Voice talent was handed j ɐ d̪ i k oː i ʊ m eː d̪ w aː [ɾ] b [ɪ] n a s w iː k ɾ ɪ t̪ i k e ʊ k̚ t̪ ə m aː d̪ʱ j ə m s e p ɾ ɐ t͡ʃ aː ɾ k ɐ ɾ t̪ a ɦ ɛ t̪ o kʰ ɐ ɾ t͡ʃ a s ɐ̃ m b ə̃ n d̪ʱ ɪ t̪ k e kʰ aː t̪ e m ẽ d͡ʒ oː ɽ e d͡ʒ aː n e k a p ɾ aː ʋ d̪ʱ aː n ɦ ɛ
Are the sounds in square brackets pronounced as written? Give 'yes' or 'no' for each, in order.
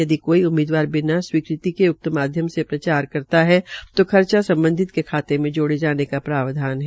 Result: yes, yes

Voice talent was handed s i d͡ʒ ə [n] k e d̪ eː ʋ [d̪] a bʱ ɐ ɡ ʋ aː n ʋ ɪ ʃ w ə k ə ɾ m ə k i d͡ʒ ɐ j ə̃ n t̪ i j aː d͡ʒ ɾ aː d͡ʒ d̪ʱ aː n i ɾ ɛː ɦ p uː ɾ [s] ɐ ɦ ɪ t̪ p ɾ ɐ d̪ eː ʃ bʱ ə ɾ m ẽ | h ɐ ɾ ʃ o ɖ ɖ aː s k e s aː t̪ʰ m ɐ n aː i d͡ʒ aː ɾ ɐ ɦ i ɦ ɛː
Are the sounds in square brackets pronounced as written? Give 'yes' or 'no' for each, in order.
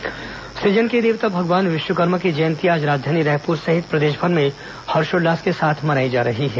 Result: yes, no, yes

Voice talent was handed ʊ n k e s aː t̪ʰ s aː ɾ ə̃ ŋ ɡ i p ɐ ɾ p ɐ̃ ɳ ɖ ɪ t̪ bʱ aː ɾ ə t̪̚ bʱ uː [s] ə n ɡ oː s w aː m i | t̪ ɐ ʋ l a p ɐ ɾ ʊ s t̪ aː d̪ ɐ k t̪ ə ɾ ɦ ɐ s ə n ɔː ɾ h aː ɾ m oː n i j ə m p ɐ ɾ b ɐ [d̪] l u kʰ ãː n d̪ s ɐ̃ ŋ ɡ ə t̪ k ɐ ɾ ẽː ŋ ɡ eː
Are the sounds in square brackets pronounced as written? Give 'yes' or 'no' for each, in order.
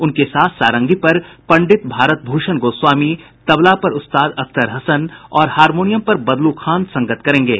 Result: no, yes

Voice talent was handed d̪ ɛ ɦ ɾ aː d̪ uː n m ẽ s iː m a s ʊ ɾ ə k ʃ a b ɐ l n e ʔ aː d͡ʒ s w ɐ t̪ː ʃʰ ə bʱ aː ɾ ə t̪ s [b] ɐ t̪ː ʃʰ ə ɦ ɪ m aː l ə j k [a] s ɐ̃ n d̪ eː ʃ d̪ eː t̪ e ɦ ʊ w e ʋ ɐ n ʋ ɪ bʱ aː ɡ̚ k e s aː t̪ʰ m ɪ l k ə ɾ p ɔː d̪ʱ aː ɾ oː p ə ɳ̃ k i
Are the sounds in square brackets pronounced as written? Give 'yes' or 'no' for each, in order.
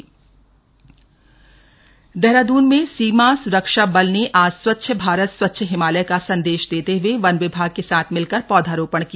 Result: no, yes

